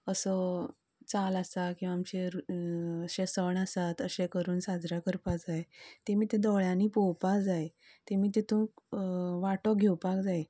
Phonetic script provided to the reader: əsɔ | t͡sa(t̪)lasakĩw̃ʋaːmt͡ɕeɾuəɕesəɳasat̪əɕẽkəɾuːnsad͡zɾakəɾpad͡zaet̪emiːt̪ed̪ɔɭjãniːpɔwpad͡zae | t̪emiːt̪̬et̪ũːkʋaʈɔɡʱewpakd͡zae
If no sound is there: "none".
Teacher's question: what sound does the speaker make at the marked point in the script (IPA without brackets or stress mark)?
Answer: none